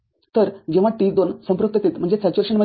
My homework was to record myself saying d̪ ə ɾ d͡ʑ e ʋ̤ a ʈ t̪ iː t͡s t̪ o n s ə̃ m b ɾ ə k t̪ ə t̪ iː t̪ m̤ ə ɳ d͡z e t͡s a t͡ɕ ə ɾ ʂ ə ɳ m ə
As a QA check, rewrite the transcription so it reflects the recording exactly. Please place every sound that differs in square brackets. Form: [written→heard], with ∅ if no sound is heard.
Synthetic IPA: [d̪→t̪] ə ɾ d͡ʑ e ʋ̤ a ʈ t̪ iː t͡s [t̪→d̪] o n s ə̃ m [b→p] ɾ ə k t̪ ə t̪ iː t̪ m̤ ə ɳ d͡z e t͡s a t͡ɕ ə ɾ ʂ ə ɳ m ə